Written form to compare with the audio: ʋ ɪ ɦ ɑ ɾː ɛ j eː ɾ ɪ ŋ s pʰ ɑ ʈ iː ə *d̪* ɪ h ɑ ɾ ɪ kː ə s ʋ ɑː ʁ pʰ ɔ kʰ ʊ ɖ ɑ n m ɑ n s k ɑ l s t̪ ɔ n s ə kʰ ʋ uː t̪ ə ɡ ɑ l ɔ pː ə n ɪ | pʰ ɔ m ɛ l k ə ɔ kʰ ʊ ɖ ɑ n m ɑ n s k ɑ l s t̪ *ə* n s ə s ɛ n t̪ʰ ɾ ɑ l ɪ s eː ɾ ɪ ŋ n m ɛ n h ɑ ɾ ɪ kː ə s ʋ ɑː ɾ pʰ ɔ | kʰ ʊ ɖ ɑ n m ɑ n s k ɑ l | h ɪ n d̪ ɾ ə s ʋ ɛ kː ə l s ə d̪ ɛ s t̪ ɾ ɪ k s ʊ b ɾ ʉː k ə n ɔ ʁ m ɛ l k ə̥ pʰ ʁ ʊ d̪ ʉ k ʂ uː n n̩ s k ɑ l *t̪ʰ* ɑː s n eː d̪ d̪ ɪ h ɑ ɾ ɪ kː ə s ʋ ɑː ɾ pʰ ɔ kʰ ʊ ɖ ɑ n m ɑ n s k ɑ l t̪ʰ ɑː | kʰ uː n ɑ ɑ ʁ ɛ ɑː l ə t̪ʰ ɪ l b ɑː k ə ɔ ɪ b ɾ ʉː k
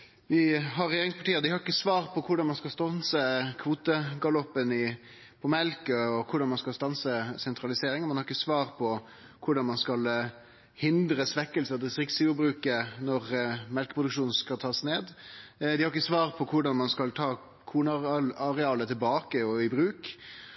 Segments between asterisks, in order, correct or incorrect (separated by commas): correct, incorrect, correct